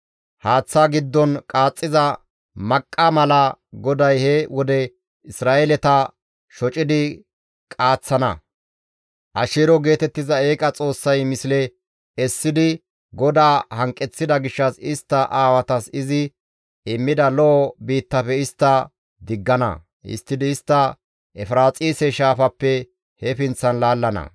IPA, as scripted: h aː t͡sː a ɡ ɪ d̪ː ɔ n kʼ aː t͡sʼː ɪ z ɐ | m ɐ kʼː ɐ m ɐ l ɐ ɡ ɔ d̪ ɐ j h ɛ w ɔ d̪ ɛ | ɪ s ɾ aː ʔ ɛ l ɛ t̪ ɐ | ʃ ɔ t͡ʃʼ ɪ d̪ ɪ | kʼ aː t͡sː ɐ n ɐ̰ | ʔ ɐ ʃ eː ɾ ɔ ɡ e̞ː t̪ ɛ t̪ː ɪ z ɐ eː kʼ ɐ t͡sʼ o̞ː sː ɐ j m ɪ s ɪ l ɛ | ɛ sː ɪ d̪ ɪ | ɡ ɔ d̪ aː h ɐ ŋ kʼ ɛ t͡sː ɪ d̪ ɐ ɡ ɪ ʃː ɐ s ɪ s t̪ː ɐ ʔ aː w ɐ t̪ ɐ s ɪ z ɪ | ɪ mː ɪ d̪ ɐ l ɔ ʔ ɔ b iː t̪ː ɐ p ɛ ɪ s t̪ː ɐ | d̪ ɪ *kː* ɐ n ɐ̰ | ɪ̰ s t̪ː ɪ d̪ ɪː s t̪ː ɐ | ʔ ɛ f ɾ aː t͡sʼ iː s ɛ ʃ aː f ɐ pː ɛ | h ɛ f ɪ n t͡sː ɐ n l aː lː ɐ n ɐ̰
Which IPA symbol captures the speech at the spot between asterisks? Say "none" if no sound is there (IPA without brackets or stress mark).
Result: ɡː